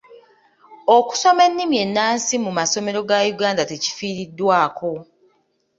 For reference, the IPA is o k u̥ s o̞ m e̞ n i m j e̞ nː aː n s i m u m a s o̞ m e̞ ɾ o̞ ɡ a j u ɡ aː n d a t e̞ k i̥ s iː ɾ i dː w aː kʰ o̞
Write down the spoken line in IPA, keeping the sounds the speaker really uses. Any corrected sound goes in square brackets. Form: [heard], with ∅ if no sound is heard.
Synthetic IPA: o k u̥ s o̞ m e̞ [nː] i m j e̞ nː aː n s i m u m a s o̞ m e̞ ɾ o̞ ɡ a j u ɡ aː n d a t e̞ [c] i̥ [f] iː ɾ i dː w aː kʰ o̞